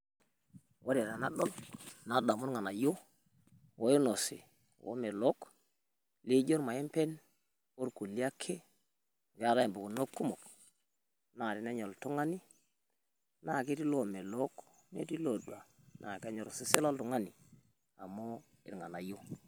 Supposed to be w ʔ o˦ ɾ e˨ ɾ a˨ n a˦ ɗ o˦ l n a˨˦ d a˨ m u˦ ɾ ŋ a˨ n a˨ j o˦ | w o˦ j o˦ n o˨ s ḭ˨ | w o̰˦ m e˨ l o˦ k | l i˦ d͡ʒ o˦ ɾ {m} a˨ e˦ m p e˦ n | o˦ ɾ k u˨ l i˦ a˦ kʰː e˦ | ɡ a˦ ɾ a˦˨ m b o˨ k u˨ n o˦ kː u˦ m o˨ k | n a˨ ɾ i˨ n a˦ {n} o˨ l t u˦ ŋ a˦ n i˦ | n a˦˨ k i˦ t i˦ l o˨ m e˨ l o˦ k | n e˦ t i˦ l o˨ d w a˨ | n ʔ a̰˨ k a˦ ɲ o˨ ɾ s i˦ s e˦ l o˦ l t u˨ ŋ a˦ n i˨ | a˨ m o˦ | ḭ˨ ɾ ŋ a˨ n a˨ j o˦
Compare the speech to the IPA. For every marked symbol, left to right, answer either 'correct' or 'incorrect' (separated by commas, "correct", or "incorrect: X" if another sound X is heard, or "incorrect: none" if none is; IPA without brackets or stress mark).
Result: correct, incorrect: ɲ